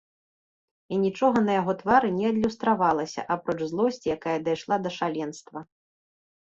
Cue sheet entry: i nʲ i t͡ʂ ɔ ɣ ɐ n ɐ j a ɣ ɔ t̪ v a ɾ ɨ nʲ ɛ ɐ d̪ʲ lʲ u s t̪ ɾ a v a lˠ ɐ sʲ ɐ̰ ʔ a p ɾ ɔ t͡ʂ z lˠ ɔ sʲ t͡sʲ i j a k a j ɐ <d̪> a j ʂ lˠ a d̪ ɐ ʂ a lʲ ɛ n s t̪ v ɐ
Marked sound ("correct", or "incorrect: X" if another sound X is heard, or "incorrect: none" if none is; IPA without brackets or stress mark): correct